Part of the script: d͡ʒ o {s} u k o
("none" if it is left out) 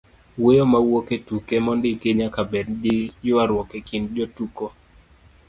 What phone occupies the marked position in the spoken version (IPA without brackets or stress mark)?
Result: t